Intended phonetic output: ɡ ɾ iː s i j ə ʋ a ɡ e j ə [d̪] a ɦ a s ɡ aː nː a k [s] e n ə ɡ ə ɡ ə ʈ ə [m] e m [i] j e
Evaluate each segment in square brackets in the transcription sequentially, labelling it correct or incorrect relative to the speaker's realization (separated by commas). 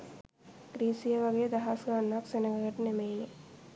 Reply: correct, correct, incorrect, incorrect